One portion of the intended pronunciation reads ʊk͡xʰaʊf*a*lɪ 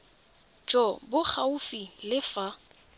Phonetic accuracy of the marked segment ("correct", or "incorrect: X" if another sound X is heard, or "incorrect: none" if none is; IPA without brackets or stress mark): incorrect: i